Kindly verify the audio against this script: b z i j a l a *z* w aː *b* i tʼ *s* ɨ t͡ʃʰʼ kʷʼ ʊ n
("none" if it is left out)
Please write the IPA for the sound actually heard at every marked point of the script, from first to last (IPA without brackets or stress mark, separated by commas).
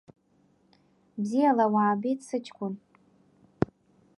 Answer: none, b, s